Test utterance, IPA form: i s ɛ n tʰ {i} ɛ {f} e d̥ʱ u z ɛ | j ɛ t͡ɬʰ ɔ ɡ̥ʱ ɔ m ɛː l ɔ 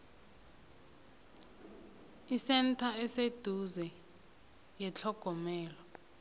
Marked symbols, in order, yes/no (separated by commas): no, no